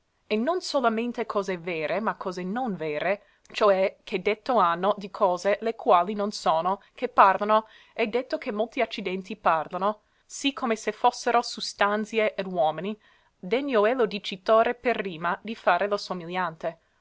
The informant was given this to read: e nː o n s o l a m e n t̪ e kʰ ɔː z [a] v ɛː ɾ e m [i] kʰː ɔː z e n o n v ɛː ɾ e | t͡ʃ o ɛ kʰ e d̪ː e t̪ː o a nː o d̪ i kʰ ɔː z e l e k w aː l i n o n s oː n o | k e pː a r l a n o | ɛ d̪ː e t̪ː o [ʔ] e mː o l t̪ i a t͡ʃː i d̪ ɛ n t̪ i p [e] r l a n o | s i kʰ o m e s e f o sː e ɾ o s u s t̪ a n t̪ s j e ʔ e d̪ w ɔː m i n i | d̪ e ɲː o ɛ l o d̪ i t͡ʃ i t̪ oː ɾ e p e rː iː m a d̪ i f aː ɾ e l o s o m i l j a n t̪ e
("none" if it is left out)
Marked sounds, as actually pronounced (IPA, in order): e, a, k, a

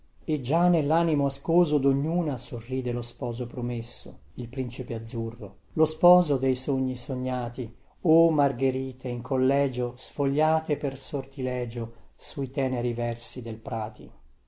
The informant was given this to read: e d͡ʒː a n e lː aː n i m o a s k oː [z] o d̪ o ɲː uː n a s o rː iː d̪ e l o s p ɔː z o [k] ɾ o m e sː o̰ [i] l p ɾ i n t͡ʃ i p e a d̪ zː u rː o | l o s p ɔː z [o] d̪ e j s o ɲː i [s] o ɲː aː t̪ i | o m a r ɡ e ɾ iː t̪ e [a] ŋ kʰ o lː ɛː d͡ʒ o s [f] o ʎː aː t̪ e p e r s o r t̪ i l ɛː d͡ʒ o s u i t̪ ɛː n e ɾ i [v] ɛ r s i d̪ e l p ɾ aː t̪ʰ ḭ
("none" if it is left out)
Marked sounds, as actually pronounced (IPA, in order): z, p, i, o, s, i, f, v

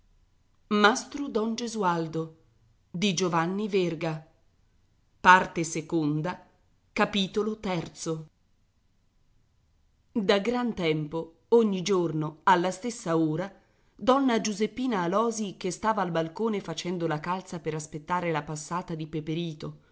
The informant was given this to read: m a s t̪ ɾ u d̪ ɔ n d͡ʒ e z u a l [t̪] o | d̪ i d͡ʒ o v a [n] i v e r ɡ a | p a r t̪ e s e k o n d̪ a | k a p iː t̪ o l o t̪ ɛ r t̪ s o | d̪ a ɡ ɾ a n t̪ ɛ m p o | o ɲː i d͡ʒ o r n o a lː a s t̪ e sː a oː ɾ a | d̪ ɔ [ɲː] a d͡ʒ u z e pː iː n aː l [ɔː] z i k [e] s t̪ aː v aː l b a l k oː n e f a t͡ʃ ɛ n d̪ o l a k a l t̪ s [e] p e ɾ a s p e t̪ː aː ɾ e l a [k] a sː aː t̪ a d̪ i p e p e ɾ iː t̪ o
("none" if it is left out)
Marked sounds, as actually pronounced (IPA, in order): d̪, nː, nː, ɔː, e, a, p

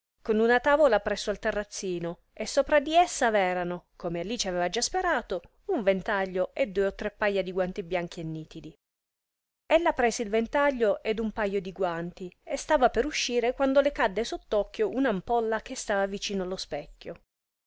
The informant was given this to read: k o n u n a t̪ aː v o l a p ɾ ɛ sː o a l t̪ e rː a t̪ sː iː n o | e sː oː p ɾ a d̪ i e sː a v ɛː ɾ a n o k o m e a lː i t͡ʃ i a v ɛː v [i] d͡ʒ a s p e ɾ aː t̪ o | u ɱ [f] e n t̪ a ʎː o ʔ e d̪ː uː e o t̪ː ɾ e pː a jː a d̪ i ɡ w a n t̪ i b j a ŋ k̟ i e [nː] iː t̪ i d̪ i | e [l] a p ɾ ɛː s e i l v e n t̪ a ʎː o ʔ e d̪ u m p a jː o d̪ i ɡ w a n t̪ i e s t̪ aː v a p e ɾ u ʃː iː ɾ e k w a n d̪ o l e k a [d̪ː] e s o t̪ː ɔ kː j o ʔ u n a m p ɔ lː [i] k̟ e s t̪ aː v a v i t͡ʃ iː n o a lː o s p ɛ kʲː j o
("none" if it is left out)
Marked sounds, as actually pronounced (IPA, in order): a, v, nː, lː, d̪ː, a

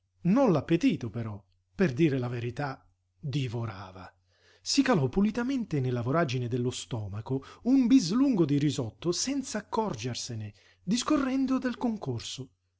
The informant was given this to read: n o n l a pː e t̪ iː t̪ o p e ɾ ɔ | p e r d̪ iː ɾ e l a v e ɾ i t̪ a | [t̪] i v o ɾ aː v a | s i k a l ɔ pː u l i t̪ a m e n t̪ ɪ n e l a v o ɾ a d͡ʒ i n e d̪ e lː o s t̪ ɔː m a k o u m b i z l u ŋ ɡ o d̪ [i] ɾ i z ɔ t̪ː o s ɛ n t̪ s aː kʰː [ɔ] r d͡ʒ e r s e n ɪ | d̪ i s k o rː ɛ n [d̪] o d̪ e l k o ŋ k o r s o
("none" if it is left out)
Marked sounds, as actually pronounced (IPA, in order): d̪, i, ɔ, d̪

